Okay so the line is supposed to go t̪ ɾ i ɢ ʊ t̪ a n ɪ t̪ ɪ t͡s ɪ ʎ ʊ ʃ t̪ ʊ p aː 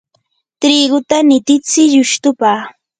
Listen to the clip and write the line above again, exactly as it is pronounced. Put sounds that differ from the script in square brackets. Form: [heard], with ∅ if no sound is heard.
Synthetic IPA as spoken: t̪ ɾ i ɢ ʊ t̪ a n ɪ t̪ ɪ t͡s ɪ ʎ ʊ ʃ t̪ ʊ p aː